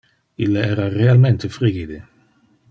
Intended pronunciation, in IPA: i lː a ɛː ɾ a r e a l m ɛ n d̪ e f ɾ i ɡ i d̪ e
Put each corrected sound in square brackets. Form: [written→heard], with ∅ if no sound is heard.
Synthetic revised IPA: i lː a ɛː ɾ a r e a l m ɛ n [d̪→t̪] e f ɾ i ɡ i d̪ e